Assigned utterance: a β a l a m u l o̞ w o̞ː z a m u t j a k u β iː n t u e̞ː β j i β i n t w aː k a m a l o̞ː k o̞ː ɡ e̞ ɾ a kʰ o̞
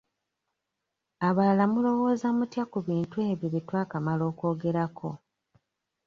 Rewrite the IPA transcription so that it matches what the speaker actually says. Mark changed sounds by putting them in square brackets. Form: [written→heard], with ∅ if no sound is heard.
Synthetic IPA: a β a l a m u l o̞ w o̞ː z a m u t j a k u β iː n t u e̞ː β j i β i [n→∅] t w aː k a m a l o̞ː k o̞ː ɡ e̞ ɾ a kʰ o̞